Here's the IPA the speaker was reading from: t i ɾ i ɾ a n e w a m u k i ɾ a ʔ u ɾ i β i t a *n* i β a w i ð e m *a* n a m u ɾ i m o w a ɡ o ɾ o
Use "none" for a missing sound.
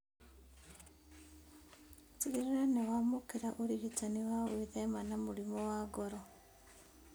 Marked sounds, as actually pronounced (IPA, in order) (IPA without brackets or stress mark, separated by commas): n, a